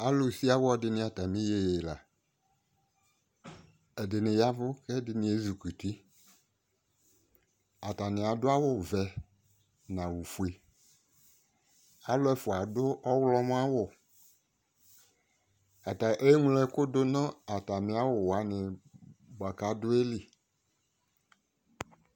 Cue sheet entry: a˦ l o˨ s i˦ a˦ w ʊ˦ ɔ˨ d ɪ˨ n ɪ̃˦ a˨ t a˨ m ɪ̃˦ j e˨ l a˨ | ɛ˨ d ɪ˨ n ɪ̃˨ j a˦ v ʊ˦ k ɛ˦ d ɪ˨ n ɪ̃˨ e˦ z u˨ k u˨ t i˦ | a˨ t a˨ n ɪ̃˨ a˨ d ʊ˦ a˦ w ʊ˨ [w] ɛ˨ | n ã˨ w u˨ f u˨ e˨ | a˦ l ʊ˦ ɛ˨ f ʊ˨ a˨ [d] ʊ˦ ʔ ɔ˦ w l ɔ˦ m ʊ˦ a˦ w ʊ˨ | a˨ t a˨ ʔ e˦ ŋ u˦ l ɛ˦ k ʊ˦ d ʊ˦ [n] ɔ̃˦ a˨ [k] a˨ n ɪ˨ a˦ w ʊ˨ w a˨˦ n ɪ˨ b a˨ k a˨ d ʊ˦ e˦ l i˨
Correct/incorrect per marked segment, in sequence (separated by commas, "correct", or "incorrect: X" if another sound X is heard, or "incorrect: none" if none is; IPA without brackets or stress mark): incorrect: v, correct, correct, incorrect: t